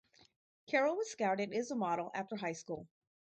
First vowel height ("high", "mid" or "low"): mid